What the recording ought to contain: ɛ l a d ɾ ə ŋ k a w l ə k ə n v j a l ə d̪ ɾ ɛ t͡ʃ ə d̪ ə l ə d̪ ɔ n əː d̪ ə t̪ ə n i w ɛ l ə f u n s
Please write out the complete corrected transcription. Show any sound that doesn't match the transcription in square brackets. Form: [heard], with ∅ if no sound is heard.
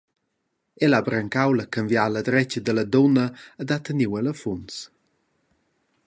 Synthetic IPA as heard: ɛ l a [b] ɾ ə ŋ k a w l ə k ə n v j a l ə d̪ ɾ ɛ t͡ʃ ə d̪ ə l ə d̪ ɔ n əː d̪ [a] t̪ ə n i w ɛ l ə f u n s